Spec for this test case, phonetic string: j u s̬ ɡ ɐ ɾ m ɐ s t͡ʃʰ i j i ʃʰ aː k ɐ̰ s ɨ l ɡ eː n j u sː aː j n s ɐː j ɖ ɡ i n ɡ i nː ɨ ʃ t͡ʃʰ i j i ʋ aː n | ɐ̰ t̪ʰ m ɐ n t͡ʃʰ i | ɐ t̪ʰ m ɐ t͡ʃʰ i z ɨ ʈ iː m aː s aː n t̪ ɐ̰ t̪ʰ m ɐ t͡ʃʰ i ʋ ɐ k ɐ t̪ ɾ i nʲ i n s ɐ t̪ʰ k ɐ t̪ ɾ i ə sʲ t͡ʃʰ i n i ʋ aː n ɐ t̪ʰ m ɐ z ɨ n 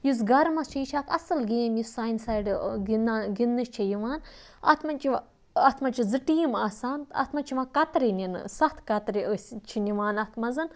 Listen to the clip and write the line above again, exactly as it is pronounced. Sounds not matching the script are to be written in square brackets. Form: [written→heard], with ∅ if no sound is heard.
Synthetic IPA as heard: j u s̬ ɡ ɐ ɾ m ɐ s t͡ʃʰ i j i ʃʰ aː k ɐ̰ s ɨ l ɡ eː [n→m] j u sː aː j n s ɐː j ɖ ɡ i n ɡ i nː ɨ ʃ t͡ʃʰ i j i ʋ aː n | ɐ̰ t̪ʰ m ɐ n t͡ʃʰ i | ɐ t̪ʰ m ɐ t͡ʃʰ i z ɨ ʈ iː m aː s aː n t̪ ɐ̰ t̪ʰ m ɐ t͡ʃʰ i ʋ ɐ k ɐ t̪ ɾ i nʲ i n s ɐ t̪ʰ k ɐ t̪ ɾ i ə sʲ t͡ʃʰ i n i ʋ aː n ɐ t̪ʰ m ɐ z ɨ n